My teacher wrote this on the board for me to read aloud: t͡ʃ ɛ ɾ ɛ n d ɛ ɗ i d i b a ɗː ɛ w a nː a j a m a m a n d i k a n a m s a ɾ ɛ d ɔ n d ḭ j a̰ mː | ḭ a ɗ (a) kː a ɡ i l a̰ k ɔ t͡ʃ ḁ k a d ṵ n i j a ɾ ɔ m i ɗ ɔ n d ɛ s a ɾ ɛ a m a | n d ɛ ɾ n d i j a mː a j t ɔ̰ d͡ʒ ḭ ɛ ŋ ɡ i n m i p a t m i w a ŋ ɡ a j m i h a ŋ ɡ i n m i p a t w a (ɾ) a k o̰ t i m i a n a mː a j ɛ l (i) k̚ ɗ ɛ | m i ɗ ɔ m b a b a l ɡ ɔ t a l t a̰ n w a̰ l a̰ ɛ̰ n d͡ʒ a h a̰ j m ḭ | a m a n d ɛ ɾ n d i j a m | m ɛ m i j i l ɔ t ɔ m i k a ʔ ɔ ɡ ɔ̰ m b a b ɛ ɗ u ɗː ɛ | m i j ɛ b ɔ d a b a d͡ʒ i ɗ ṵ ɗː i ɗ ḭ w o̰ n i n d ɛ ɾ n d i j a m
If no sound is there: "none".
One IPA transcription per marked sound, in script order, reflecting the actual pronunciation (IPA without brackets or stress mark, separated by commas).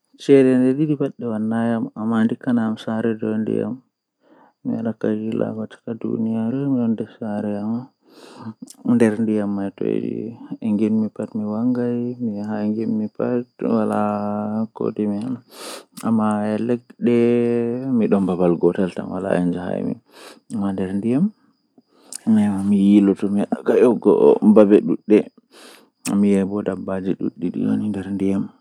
a, l, ɛ